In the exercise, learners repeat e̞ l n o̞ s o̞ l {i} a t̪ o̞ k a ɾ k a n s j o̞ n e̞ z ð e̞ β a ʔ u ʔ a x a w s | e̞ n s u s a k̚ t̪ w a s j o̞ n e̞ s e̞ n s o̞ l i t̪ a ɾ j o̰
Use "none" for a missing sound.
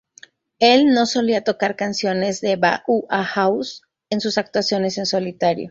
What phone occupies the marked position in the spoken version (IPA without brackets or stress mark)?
i